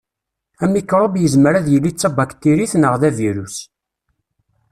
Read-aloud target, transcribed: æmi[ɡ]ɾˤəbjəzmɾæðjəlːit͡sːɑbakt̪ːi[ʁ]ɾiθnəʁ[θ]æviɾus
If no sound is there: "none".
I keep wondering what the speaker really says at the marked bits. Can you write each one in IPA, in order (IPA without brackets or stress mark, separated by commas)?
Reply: k, none, ð